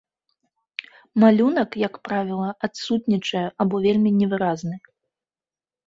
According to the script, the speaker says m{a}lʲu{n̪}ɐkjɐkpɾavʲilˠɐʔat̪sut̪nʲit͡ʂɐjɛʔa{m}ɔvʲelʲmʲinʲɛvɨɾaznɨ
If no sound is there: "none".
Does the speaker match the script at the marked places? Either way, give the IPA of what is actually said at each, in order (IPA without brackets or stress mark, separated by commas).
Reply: a, n̪, b